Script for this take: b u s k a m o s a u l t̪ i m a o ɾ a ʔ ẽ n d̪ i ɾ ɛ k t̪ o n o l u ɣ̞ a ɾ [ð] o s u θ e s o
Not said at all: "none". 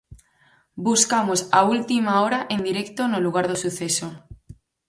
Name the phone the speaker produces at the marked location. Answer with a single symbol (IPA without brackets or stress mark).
ð